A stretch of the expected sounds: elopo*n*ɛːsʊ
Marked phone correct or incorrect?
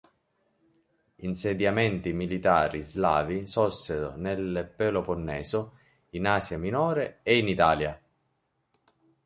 incorrect